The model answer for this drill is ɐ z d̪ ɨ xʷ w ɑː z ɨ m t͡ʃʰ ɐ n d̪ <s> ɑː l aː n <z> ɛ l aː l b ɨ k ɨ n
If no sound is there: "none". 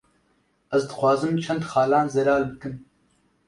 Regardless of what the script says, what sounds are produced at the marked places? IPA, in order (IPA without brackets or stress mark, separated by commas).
x, z